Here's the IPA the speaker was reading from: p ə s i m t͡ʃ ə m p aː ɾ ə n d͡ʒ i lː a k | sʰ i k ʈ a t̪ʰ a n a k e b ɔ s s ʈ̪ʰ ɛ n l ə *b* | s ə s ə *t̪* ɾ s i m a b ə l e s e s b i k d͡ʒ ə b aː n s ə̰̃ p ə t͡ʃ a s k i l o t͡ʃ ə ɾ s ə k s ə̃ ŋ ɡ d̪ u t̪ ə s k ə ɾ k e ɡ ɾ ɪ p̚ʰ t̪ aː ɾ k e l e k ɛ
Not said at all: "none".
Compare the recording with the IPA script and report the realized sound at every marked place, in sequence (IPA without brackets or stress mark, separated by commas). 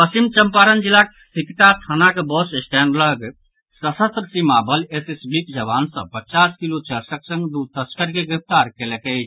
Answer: ɡ, t̪